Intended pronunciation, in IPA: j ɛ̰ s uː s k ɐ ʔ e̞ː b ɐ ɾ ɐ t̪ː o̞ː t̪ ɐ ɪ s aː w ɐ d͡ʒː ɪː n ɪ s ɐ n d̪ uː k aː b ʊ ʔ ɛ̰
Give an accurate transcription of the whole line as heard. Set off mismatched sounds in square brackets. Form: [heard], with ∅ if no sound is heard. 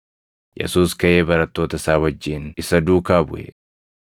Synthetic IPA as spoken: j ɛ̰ s uː s k ɐ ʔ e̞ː b ɐ ɾ ɐ t̪ː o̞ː t̪ ɐ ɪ s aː w ɐ d͡ʒː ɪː n ɪ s ɐ [∅] d̪ uː k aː b ʊ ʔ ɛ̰